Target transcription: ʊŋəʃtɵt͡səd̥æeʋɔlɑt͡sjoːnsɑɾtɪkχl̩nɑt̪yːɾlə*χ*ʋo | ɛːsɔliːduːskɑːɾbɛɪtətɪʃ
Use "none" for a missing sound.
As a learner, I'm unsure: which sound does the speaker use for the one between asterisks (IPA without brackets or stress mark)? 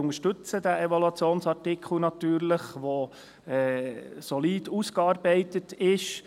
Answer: χ